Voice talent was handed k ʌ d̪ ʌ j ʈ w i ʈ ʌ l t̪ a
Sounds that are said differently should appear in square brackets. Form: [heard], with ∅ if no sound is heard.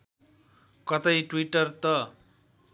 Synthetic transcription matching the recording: k ʌ [t̪] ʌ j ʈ w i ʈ ʌ [r] t̪ [ʌ]